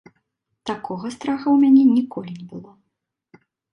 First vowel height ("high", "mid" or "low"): low